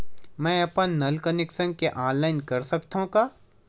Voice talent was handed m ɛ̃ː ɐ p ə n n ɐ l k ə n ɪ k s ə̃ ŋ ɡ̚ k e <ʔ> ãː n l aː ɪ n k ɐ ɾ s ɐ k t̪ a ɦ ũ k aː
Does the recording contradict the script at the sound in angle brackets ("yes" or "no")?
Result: no